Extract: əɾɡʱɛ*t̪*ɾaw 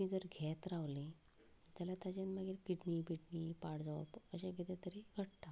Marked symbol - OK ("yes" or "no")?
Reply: yes